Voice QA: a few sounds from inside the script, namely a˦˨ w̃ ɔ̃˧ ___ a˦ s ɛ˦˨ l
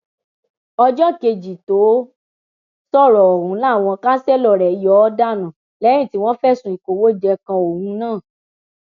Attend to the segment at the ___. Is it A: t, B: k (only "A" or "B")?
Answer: B